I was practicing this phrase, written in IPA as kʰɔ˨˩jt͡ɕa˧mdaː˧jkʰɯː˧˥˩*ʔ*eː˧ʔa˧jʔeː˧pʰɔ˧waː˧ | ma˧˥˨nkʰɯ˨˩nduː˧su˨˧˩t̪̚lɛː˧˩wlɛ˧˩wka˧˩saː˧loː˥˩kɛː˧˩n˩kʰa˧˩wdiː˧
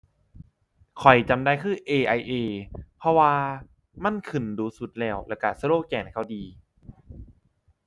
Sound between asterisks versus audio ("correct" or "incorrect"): correct